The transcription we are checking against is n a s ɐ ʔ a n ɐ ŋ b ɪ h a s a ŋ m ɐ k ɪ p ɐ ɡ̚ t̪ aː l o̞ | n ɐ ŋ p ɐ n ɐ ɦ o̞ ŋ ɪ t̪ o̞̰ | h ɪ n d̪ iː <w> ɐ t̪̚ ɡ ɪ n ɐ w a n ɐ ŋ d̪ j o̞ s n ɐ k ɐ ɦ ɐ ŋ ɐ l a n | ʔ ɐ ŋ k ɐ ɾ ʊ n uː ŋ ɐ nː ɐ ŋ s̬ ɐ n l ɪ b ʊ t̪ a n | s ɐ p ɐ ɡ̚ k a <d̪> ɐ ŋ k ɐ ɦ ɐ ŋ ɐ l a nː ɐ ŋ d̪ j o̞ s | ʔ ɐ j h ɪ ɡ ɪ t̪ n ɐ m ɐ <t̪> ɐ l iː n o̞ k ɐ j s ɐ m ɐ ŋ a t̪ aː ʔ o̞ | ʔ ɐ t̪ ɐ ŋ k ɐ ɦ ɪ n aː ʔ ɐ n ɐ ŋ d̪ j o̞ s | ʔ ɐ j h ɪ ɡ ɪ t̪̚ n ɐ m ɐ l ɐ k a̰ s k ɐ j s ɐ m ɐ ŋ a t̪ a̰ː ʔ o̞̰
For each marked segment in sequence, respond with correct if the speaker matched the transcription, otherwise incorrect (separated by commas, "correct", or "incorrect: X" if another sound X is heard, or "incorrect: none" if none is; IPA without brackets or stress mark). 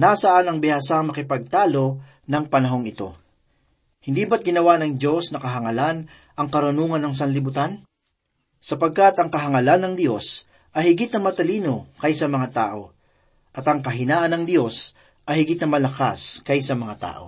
incorrect: b, incorrect: t̪, correct